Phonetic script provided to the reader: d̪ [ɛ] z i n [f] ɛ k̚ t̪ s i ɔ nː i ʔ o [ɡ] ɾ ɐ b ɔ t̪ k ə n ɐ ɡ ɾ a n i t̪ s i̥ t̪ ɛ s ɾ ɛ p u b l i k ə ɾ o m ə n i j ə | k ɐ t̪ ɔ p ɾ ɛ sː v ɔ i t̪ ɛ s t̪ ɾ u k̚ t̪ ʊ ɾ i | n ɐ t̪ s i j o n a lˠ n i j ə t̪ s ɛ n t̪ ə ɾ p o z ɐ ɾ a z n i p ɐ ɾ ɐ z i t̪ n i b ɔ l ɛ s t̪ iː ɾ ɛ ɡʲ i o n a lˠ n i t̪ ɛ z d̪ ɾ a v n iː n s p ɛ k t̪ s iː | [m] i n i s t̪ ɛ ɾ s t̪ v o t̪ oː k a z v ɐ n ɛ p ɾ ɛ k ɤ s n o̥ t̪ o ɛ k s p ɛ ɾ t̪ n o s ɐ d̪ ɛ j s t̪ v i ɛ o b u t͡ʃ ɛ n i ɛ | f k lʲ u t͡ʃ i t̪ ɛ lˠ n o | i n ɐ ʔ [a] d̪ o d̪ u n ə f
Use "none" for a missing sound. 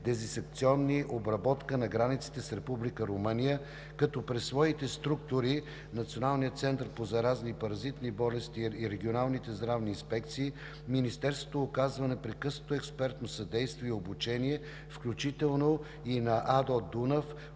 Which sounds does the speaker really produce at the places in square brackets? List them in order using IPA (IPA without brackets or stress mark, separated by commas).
ɛ, s, b, m, a